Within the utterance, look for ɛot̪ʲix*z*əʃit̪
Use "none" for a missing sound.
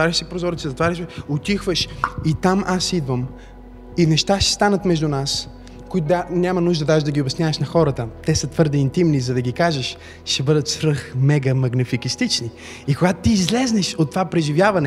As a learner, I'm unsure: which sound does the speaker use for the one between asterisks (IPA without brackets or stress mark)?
v